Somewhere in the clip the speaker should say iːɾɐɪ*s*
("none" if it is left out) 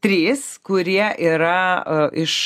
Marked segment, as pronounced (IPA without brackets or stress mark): ʃ